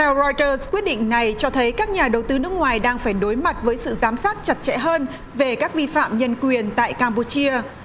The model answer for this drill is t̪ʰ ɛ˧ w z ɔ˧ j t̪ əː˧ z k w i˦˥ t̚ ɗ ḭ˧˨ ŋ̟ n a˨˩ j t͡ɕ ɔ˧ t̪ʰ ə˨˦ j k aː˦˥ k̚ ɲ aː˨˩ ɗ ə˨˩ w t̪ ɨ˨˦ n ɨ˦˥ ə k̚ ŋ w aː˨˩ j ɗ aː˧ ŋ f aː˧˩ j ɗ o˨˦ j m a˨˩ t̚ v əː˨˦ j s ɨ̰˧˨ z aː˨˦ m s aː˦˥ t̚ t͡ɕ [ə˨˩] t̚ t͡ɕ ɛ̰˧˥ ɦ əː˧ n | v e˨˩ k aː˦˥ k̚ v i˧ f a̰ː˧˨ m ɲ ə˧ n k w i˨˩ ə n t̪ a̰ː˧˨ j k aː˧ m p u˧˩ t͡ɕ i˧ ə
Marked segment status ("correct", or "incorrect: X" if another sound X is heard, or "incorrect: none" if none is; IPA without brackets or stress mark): incorrect: a˨˩